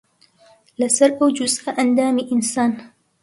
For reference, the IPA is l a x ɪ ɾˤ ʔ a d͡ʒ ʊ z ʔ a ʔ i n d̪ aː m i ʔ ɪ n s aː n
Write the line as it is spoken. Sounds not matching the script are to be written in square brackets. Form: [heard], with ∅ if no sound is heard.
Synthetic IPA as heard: l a [s] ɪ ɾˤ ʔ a d͡ʒ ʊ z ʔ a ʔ [a] n d̪ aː m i ʔ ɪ n s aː n